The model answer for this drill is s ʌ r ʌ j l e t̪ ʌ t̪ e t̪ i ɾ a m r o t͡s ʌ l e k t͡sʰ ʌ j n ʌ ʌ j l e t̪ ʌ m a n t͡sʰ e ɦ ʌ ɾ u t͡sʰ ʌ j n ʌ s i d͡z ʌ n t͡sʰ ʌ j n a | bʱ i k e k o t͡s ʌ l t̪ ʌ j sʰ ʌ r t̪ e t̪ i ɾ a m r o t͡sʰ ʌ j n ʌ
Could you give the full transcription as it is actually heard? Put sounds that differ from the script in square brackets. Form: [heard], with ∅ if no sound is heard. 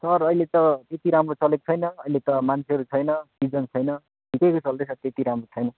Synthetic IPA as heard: s ʌ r ʌ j l e t̪ ʌ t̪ e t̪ i ɾ a m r o t͡s ʌ l e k t͡sʰ ʌ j n ʌ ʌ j l e t̪ ʌ m a n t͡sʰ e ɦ ʌ ɾ u t͡sʰ ʌ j n ʌ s i d͡z ʌ n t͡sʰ ʌ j n [ʌ] | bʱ i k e k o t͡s ʌ l [d̪] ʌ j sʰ ʌ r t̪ e t̪ i ɾ a m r o t͡sʰ ʌ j n ʌ